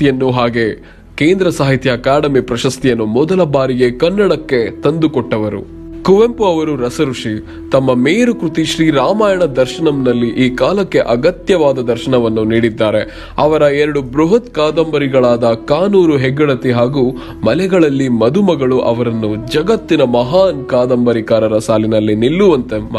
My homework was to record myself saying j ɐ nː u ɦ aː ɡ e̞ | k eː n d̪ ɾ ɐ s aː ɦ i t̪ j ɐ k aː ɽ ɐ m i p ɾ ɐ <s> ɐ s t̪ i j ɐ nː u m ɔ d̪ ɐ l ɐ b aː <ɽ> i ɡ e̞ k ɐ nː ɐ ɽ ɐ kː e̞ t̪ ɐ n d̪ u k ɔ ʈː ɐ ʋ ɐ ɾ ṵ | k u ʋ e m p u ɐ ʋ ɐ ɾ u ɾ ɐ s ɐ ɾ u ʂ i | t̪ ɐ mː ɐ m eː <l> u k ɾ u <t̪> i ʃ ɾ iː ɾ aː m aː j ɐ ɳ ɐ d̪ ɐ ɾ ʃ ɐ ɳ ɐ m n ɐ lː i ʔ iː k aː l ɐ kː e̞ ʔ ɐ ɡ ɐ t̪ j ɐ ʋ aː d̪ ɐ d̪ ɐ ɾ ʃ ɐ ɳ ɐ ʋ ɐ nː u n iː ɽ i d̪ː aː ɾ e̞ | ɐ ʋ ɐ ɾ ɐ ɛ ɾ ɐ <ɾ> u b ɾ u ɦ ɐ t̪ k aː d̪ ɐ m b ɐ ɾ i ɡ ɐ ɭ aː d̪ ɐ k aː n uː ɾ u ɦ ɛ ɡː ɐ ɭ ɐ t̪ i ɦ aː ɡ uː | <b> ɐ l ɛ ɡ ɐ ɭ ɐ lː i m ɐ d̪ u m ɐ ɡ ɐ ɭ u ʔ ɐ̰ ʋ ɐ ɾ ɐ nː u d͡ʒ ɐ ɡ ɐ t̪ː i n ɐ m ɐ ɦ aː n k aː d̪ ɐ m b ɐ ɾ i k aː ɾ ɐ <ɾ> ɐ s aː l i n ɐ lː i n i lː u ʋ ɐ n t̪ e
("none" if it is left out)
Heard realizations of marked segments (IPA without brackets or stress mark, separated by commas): ʃ, ɾ, ɾ, t̪, ɽ, m, ɾ